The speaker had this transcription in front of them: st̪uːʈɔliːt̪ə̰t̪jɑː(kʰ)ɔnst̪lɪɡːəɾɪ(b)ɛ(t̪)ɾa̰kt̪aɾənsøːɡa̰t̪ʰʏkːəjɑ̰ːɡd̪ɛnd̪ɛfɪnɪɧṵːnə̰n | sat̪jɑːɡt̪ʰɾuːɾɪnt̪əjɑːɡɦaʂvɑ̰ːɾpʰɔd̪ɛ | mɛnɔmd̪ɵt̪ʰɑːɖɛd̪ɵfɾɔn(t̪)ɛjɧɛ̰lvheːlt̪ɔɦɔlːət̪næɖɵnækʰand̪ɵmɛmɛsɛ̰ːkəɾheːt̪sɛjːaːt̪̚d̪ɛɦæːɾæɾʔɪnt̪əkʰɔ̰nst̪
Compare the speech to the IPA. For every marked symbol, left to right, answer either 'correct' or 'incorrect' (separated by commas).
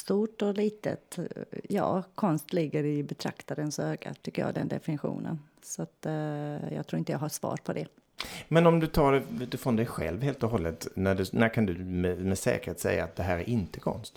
correct, correct, incorrect, incorrect